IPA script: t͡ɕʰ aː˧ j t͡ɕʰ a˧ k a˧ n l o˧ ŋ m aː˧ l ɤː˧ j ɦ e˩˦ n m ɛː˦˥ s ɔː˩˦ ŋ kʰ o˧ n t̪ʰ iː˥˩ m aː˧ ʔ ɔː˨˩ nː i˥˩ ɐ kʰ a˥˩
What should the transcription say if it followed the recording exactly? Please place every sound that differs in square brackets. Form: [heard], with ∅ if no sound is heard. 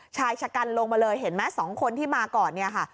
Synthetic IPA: t͡ɕʰ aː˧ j t͡ɕʰ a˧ k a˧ n l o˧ ŋ m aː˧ l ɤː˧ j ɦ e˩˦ n m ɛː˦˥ s ɔː˩˦ ŋ kʰ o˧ n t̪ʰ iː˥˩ m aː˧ [k] ɔː˨˩ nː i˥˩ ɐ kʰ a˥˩